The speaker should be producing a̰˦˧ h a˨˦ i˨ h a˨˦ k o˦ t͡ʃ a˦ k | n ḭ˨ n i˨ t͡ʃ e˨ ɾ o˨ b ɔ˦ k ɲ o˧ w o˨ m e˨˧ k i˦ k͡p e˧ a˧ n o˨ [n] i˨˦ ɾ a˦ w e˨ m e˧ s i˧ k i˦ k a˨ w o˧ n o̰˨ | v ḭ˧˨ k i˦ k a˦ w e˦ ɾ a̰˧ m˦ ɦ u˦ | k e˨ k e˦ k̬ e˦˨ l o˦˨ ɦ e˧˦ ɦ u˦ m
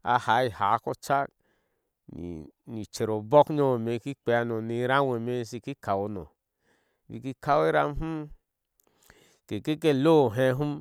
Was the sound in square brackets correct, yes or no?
yes